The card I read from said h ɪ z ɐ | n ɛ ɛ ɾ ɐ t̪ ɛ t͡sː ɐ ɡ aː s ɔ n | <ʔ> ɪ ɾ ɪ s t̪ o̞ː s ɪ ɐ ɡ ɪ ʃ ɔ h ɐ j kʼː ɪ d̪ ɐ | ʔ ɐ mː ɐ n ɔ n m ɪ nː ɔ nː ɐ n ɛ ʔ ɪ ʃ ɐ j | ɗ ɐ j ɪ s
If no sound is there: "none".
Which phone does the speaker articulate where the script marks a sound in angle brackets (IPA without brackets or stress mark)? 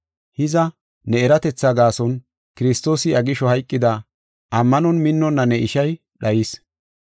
k